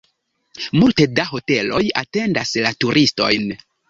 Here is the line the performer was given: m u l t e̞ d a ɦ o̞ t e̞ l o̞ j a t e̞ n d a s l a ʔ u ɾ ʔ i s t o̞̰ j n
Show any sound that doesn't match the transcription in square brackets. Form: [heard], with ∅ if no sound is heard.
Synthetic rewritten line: m u l t e̞ d a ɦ o̞ t e̞ l o̞ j a t e̞ n d a s l a [t] u ɾ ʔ i s t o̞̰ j n